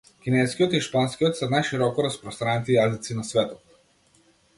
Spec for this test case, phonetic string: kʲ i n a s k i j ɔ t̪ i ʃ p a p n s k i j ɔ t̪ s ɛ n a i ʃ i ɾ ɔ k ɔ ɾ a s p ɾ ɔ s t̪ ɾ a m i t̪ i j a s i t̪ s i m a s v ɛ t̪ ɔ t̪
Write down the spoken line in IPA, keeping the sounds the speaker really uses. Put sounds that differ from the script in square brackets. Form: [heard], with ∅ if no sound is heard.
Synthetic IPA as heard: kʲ i n [ɛ] s k i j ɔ t̪ i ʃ p a [∅] n s k i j ɔ t̪ s ɛ n a [j] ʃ i ɾ ɔ k ɔ ɾ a s p ɾ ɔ s t̪ ɾ a [n] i t̪ i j a [z] i t̪ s i [n] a s v ɛ t̪ ɔ t̪